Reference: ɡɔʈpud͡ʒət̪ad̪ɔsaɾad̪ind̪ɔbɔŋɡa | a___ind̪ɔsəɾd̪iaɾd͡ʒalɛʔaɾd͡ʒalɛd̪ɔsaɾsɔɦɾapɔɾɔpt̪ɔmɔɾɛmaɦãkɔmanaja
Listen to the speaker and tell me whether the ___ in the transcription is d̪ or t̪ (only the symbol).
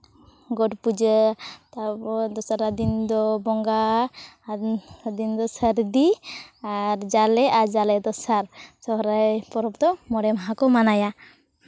d̪